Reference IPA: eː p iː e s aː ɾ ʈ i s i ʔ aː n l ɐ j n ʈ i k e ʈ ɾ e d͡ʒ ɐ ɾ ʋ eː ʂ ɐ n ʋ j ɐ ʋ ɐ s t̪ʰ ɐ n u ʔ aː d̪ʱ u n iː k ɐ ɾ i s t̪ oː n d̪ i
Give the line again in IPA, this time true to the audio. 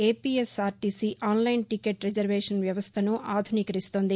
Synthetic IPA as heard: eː p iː e s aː ɾ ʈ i s i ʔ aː n l ɐ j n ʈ i k e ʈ ɾ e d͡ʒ ɐ ɾ ʋ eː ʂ ɐ n ʋ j ɐ ʋ ɐ s t̪ʰ ɐ n u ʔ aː d̪ʱ u n iː k ɐ ɾ i s t̪ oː n d̪ i